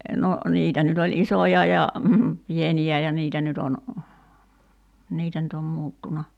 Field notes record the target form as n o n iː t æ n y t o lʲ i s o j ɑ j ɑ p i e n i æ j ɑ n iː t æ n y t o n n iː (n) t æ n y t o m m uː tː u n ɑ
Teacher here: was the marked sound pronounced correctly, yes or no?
no